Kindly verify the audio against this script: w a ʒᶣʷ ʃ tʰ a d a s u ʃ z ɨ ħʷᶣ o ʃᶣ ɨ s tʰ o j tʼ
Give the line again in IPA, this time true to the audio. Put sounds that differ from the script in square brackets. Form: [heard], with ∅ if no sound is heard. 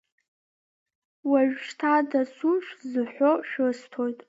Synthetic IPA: w a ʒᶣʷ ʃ tʰ a d a s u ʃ z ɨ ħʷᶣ o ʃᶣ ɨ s tʰ o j tʼ